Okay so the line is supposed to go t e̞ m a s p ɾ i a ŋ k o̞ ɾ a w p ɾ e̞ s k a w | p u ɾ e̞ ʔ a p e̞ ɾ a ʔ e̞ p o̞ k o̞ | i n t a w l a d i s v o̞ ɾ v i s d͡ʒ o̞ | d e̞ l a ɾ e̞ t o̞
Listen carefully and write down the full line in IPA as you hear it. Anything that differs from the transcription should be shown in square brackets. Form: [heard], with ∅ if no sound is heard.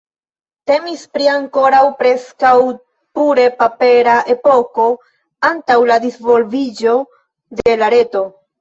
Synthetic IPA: t e̞ m [i] s p ɾ i a ŋ k o̞ ɾ a w p ɾ e̞ s k a w | p u ɾ e̞ [p] a p e̞ ɾ a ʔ e̞ p o̞ k o̞ | [a] n t a w l a d i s v o̞ [l] v i [∅] d͡ʒ o̞ | d e̞ l a ɾ e̞ t o̞